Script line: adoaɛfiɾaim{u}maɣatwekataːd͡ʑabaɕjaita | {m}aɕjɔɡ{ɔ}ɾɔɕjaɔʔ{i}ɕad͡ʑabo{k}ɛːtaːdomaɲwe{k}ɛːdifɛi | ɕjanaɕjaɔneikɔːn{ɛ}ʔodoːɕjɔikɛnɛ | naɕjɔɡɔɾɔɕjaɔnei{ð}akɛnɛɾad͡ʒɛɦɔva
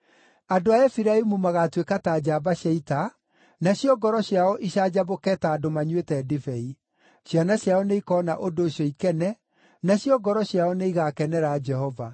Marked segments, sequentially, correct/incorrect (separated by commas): correct, incorrect, correct, correct, correct, incorrect, incorrect, incorrect